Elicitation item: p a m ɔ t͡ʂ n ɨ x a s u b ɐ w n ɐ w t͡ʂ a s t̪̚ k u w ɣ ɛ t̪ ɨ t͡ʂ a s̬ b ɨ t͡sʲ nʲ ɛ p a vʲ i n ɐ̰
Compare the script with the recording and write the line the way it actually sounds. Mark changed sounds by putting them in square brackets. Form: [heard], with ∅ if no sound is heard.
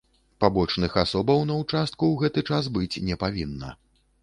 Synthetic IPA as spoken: p a [b] ɔ t͡ʂ n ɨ x a s [ɔ] b ɐ w n ɐ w t͡ʂ a s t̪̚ k u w ɣ ɛ t̪ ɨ t͡ʂ a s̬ b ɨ t͡sʲ nʲ ɛ p a vʲ i [nː] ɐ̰